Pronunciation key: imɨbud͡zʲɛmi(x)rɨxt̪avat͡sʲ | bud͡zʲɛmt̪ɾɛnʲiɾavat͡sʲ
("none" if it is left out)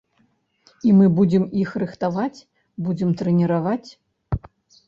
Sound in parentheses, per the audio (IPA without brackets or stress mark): x